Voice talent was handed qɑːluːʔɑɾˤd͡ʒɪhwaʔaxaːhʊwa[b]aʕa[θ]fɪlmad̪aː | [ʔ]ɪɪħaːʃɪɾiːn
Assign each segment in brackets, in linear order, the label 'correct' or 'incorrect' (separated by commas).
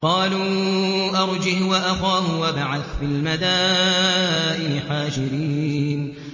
correct, correct, correct